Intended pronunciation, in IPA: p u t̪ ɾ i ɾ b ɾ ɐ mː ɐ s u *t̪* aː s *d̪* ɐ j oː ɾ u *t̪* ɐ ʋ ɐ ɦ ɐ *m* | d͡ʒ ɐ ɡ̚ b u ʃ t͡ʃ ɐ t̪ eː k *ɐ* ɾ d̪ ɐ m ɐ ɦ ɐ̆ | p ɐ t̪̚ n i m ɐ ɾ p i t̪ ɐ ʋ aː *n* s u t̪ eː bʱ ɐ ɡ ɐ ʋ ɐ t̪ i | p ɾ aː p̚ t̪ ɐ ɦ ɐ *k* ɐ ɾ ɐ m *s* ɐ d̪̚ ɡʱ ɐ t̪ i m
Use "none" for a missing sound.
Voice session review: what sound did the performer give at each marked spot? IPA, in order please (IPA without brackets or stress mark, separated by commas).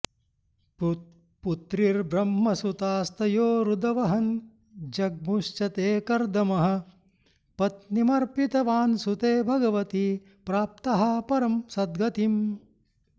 t̪, t̪, d̪, n, ɐ, n, p, s